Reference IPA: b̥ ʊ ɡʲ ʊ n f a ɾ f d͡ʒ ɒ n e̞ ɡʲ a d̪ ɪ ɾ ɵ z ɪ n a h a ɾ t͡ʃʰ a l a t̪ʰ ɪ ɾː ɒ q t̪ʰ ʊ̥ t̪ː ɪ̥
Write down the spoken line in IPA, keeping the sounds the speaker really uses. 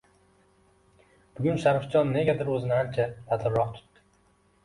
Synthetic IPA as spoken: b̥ ʊ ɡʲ ʊ n ʃ a ɾ f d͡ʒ ɒ nː e̞ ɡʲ a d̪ ɪ ɾ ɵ z ɪ n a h a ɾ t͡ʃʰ a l a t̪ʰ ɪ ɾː ɒ q t̪ʰ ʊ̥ t̪ː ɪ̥